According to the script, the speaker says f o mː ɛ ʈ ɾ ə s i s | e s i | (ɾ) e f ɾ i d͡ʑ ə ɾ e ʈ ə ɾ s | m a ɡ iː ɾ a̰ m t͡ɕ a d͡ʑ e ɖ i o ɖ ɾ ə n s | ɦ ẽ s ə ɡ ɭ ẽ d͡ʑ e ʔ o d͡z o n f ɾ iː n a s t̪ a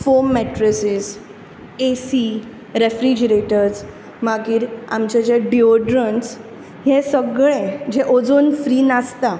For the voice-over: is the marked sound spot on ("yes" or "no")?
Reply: yes